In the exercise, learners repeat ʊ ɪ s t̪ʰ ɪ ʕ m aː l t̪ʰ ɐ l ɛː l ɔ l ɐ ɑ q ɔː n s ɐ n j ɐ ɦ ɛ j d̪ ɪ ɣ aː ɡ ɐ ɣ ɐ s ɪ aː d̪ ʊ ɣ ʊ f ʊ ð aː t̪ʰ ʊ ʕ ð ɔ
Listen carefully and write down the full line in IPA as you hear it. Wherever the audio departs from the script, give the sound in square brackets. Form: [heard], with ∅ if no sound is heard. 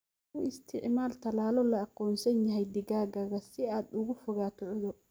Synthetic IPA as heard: ʊ ɪ s t̪ʰ ɪ ʕ m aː l t̪ʰ ɐ l [aː] l ɔ l ɐ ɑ q ɔː n s ɐ n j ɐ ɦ ɛ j d̪ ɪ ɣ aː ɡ ɐ ɣ ɐ s ɪ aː d̪ ʊ ɣ ʊ f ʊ [ɣ] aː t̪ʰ ʊ ʕ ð ɔ